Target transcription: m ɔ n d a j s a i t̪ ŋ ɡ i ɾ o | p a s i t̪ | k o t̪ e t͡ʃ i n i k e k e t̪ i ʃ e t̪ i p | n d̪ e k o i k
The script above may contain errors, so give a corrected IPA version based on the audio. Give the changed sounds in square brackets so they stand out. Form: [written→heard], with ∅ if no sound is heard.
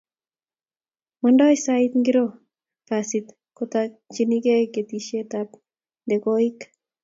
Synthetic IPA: m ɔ n d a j s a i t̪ ŋ ɡ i ɾ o | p a s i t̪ | k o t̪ [e→a] t͡ʃ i n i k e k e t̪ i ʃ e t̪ [i→a] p | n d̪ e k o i k